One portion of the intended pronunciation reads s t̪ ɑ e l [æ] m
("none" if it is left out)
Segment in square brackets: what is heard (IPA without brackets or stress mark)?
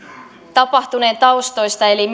i